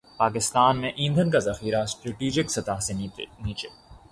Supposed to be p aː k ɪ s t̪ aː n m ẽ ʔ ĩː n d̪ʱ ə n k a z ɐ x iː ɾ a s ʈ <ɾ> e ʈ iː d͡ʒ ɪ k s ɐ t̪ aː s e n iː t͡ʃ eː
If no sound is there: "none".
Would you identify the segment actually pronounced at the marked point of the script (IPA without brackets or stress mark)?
ɾ